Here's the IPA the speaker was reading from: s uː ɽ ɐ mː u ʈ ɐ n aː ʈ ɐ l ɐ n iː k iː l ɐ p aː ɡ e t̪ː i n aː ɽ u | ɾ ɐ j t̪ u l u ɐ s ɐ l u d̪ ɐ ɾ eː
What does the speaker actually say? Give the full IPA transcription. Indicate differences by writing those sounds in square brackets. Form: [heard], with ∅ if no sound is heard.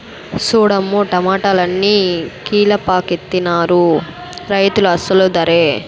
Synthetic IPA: s uː ɽ ɐ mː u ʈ ɐ [m] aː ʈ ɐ l ɐ [nː] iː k iː l ɐ p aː [k] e t̪ː i n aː [ɾ] u | ɾ ɐ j t̪ u l u ɐ s ɐ l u d̪ ɐ ɾ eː